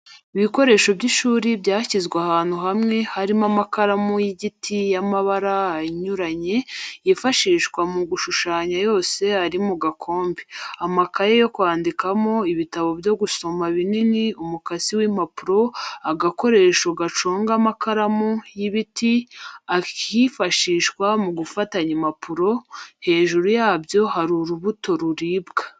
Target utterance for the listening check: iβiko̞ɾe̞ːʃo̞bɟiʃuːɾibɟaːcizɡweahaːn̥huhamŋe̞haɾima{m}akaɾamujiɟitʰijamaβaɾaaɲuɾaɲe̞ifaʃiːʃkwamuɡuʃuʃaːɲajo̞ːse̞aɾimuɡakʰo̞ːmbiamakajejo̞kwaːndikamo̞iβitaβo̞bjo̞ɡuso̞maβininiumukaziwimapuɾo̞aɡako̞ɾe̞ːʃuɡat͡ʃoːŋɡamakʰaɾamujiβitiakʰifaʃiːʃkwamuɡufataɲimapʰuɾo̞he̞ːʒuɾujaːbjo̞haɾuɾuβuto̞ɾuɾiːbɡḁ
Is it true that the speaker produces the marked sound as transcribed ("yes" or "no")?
yes